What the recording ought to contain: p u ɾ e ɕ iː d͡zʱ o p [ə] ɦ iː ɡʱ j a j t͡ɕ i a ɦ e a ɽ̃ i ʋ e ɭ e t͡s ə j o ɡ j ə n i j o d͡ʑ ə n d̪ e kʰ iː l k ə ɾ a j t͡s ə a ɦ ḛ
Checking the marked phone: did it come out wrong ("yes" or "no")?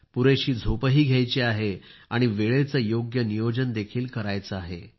no